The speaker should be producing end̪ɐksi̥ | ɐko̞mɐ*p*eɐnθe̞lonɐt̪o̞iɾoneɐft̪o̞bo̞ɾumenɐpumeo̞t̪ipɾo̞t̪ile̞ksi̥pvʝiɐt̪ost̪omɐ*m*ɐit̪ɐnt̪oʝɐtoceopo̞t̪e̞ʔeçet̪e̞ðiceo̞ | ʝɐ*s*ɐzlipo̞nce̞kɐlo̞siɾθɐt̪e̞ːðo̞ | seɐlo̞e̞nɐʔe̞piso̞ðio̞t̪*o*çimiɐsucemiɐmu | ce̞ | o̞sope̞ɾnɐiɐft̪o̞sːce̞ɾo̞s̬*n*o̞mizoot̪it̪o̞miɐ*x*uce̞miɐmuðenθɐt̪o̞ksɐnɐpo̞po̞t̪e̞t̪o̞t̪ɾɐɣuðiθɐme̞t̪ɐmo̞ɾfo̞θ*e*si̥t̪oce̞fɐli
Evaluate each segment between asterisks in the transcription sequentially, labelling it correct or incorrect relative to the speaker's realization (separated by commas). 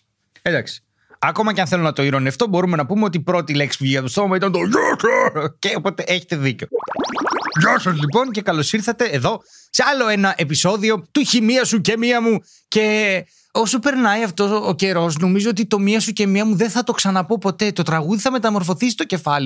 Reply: incorrect, correct, correct, incorrect, correct, incorrect, incorrect